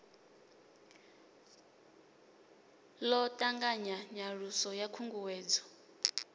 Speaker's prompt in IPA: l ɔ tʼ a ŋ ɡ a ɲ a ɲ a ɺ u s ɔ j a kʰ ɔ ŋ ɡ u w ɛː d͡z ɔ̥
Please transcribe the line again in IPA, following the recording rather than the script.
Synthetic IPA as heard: l ɔ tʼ a ŋ ɡ a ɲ a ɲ a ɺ u s ɔ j a kʰ u ŋ ɡ u w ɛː d͡z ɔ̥